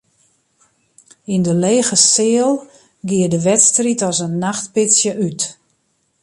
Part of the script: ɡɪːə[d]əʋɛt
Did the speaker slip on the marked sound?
no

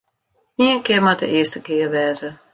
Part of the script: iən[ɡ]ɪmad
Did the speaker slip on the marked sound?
yes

